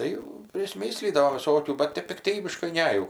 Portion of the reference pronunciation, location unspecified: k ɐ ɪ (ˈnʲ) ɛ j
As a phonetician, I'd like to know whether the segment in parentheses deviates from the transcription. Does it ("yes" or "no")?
no